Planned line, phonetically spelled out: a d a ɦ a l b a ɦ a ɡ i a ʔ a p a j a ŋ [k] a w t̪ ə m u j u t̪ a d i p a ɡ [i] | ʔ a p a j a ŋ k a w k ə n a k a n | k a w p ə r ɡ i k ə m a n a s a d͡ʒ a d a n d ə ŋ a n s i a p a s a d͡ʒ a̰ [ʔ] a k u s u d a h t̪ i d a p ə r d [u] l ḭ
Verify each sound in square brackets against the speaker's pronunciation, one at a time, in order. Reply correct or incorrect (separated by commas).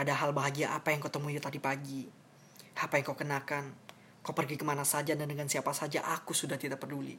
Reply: correct, correct, correct, correct